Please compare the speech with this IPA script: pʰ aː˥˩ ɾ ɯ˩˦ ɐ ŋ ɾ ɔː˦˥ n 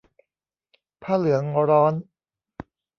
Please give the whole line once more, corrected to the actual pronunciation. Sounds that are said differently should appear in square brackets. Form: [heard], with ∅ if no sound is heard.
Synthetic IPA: pʰ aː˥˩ [l] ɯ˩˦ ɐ ŋ ɾ ɔː˦˥ n